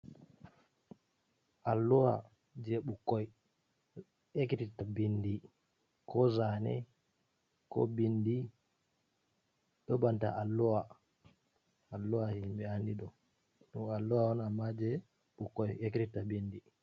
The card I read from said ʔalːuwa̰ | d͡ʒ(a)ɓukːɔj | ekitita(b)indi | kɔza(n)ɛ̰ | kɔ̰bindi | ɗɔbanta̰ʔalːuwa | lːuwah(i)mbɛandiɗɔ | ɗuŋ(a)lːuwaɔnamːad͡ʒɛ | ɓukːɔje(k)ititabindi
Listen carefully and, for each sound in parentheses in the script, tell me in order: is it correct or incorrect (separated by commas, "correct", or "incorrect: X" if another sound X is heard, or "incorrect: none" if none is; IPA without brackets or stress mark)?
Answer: incorrect: ɛ, correct, correct, correct, correct, correct